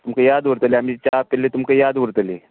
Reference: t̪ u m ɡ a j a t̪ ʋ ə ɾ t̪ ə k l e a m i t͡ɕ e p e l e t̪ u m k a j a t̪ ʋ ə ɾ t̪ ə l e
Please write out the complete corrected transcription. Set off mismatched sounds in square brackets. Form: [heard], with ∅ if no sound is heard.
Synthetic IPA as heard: t̪ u m [k] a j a [d̪] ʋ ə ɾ t̪ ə [∅] l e a m i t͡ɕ [a] p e l e t̪ u m k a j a [d̪] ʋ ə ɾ t̪ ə l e